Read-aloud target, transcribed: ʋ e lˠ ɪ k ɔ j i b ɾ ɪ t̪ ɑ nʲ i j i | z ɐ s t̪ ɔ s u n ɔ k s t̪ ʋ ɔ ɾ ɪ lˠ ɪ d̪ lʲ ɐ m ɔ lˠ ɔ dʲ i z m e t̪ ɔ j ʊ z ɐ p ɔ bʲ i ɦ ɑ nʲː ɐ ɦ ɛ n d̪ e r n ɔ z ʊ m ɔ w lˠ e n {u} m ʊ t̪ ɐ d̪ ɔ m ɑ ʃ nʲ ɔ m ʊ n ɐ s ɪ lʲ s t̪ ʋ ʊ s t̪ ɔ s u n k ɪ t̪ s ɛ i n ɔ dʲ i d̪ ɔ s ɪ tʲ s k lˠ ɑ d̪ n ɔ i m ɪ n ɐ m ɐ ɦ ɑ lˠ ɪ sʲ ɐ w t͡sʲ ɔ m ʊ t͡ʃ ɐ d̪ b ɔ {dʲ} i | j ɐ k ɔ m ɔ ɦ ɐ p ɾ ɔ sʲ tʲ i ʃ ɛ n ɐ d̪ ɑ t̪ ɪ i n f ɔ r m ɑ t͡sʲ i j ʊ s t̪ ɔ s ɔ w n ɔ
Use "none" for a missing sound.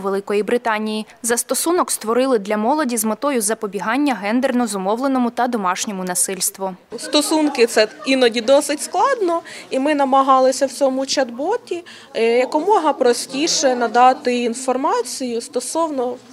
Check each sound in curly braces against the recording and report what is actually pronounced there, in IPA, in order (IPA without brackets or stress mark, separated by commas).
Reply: ɔ, tʲ